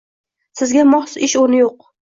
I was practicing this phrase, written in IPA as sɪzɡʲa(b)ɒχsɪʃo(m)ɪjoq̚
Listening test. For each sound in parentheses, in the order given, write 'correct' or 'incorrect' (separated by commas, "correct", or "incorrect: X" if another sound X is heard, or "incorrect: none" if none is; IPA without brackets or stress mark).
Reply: incorrect: m, incorrect: n